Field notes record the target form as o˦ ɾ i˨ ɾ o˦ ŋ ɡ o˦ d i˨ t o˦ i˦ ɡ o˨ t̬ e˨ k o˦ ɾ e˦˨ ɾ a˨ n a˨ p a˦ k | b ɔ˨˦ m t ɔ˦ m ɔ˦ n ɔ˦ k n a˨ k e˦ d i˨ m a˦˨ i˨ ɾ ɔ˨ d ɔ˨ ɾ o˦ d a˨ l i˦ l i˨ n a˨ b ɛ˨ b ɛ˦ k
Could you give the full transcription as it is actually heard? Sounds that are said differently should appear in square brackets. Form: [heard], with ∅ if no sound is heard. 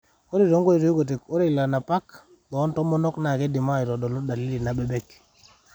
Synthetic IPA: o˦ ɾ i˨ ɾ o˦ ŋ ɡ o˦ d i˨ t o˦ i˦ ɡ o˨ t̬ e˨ k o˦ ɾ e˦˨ [l] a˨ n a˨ p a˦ k | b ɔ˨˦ [n] t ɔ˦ m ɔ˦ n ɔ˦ k n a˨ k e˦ d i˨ m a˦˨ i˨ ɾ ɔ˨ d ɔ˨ [l] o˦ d a˨ l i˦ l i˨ n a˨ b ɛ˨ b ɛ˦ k